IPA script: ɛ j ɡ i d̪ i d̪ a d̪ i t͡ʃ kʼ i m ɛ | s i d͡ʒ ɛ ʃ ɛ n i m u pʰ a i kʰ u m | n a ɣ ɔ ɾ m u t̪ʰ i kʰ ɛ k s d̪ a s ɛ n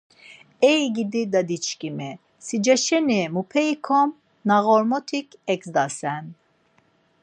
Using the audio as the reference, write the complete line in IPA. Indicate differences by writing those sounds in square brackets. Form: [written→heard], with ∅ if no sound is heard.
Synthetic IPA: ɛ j ɡ i d̪ i d̪ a d̪ i t͡ʃ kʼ i m ɛ | s i d͡ʒ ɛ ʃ ɛ n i m u pʰ [a→ɛ] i kʰ [u→ɔ] m | n a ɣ ɔ ɾ m [u→ɔ] t̪ʰ i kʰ ɛ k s d̪ a s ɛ n